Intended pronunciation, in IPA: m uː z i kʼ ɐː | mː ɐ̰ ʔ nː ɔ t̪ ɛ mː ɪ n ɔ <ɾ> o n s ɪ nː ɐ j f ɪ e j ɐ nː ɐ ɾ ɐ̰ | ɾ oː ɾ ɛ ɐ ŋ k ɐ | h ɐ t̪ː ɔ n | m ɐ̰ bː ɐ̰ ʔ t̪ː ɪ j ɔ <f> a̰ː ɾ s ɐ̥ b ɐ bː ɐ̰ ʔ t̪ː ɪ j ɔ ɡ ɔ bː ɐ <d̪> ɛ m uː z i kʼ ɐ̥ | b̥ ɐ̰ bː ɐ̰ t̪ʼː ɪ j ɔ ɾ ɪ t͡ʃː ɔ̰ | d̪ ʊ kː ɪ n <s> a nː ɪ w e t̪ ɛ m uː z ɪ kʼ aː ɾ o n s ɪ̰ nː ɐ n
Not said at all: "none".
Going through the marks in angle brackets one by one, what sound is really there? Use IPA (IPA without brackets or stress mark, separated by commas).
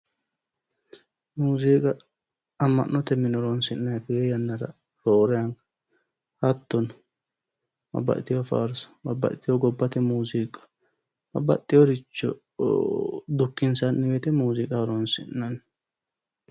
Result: ɾ, f, t̪, s